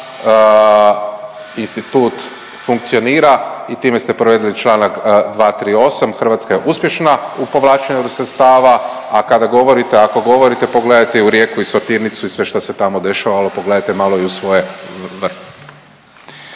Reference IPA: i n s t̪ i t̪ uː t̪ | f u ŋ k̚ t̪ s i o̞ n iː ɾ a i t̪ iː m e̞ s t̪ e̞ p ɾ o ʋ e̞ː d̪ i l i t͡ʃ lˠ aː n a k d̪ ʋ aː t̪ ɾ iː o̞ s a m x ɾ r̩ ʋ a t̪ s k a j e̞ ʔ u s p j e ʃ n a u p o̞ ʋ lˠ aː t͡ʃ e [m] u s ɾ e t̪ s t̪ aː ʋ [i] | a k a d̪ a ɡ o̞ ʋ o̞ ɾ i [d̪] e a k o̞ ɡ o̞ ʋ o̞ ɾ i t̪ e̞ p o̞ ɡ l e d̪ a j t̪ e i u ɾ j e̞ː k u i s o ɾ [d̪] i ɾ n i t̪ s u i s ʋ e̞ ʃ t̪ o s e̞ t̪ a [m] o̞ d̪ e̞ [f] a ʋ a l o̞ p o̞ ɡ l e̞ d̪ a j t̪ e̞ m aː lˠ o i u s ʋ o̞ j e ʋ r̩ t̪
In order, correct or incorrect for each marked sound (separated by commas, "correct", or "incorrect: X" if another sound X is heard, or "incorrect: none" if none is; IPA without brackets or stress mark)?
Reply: incorrect: ɲ, incorrect: a, incorrect: t̪, incorrect: t̪, correct, incorrect: ʃ